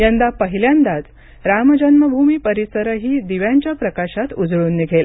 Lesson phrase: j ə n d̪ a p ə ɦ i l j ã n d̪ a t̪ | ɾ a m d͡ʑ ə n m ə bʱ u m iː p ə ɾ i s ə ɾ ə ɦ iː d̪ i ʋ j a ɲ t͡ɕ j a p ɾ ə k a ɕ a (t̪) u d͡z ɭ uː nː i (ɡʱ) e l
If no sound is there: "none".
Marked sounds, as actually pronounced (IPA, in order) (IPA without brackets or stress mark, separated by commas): t̪, ɡʱ